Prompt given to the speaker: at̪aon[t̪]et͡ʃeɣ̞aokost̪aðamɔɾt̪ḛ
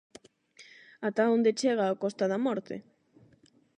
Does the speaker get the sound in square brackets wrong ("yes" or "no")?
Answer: yes